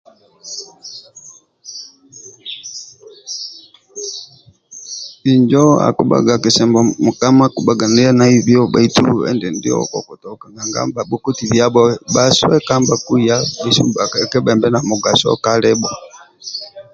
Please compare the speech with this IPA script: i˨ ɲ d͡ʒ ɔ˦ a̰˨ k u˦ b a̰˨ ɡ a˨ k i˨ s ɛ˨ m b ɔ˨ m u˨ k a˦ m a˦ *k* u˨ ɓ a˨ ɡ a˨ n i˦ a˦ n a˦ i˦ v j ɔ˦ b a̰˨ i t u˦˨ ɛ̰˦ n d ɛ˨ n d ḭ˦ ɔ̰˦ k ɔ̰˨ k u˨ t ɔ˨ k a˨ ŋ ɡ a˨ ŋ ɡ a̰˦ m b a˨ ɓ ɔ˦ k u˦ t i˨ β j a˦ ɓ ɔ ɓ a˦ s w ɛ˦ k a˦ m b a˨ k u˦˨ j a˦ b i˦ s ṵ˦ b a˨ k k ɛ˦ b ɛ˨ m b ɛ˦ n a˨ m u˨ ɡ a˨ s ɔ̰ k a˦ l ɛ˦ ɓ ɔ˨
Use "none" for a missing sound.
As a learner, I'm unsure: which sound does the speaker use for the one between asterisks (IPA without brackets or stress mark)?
k